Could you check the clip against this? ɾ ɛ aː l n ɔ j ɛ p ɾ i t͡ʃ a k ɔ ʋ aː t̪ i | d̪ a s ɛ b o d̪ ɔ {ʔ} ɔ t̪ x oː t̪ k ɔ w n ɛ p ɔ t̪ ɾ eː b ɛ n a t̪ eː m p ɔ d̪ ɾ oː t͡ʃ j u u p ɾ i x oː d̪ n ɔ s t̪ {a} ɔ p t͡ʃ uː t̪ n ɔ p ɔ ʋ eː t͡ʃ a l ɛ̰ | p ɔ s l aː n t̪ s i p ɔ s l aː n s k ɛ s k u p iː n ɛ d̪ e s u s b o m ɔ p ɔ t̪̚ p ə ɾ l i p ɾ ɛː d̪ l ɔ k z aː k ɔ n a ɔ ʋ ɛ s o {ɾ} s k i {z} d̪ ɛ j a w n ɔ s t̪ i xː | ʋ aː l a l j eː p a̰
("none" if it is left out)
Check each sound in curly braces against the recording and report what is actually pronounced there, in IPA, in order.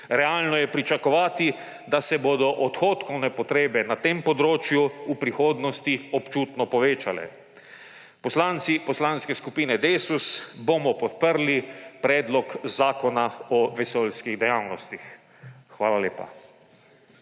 ʔ, i, l, ɣ

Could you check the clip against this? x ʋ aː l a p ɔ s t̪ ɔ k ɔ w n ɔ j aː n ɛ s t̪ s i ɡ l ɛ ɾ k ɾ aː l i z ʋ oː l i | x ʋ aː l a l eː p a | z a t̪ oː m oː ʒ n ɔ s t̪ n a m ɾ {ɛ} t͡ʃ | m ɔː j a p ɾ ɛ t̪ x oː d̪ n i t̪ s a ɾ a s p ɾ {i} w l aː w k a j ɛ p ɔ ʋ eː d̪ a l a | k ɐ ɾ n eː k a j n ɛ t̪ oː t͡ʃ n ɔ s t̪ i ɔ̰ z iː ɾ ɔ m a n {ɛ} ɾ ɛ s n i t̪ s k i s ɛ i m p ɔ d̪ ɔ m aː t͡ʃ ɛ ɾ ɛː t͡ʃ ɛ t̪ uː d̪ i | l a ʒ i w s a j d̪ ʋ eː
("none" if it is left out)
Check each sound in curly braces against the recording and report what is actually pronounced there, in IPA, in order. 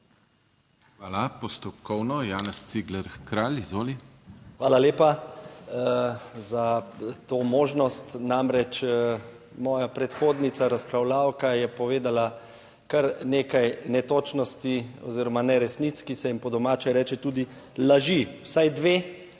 ɛ, a, ɛ

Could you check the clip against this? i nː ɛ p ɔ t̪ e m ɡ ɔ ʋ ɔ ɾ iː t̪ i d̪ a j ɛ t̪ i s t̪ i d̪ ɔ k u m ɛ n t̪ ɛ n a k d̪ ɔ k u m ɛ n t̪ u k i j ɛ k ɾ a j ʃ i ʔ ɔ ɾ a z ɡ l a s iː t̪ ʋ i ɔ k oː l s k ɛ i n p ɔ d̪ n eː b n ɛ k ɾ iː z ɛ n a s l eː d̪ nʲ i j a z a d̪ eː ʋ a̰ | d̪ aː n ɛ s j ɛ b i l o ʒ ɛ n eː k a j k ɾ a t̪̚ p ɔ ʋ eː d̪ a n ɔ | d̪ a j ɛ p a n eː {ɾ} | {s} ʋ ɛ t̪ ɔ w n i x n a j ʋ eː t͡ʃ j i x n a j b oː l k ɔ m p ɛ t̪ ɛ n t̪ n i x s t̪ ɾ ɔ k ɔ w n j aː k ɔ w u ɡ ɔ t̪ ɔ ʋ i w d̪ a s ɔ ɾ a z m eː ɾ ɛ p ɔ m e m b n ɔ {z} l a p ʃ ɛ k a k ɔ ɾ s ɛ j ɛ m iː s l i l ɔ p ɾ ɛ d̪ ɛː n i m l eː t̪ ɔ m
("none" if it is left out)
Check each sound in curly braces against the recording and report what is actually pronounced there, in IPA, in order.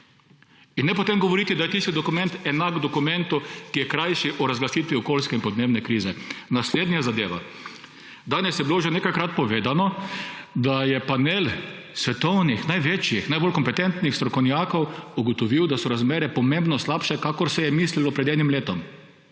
l, s, s

